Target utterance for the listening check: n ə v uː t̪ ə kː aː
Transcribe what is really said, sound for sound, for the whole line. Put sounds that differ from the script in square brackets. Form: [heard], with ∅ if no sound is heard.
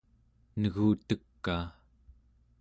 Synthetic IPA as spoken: n ə [ɣ] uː t̪ ə kː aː